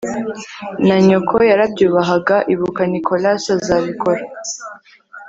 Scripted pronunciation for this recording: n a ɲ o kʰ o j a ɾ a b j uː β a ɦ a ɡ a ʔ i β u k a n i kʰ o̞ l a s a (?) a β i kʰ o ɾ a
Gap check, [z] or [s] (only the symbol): z